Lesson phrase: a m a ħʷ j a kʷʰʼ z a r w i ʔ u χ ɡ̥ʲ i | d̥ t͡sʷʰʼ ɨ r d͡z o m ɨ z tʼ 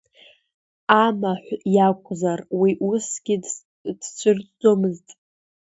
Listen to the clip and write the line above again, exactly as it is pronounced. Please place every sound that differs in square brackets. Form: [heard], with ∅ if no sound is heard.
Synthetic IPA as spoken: a m a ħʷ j a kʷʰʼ z a r w i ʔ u [s] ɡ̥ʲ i | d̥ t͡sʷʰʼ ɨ r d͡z o m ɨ z tʼ